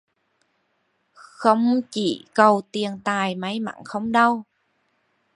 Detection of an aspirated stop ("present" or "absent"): absent